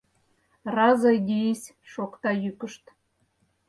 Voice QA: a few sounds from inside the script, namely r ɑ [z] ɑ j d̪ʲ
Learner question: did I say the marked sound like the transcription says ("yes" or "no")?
yes